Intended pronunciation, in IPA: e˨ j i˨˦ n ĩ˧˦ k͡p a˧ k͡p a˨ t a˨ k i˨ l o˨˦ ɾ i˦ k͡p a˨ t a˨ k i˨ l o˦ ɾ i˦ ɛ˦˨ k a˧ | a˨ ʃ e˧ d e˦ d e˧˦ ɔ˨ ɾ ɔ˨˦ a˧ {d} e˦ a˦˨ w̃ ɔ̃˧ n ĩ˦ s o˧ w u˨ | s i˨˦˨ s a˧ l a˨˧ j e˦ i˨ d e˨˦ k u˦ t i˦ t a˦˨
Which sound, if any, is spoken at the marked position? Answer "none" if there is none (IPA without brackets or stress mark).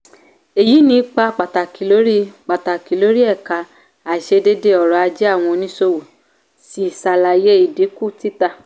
d͡ʒ